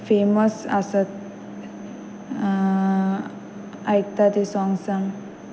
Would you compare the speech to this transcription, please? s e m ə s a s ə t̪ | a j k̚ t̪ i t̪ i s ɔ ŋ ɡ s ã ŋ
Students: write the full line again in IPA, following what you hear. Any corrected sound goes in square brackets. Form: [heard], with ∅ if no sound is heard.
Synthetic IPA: [f] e m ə s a s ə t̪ | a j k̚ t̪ [a] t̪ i s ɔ ŋ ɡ s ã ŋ